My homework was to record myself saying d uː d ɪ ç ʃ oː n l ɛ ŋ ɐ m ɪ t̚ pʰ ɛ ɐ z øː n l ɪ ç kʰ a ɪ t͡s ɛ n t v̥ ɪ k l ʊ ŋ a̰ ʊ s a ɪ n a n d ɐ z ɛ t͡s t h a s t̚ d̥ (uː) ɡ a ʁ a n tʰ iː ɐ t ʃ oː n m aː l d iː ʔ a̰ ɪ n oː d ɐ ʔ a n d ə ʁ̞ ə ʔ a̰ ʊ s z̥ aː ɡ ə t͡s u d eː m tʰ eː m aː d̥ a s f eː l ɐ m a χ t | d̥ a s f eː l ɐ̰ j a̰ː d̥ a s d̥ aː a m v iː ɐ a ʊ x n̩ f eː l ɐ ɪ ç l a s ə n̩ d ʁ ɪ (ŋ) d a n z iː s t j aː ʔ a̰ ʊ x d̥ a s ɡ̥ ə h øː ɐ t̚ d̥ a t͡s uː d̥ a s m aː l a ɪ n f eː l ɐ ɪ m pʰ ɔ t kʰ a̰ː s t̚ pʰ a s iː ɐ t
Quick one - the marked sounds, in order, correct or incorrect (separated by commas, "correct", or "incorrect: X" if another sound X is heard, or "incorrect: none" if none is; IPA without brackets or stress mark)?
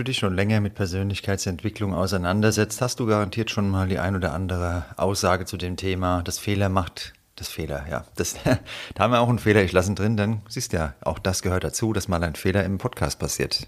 correct, incorrect: n